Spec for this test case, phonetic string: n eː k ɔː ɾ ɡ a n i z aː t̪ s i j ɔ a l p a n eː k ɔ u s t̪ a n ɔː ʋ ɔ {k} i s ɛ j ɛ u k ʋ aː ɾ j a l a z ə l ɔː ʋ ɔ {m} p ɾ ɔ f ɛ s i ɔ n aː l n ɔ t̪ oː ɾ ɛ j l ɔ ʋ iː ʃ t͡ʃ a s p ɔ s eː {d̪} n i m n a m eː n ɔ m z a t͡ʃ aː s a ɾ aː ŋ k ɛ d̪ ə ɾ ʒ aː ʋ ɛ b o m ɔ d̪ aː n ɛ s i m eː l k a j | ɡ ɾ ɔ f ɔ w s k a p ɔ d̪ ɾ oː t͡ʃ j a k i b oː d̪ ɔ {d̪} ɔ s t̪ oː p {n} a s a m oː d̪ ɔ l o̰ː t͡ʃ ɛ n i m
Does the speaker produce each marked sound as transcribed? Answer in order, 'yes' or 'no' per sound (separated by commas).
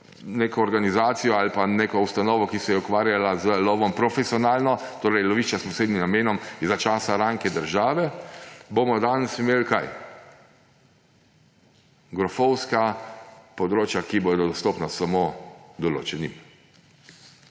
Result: yes, yes, yes, yes, yes